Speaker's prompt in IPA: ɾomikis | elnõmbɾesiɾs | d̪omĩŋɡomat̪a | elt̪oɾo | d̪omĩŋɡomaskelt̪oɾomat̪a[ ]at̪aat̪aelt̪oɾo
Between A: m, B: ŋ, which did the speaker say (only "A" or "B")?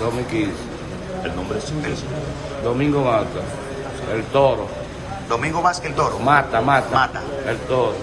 A